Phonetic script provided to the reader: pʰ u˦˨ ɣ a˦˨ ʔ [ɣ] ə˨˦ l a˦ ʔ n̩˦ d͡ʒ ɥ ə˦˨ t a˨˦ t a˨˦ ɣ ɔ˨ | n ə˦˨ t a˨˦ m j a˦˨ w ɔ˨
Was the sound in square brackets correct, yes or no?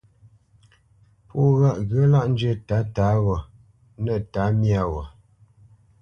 yes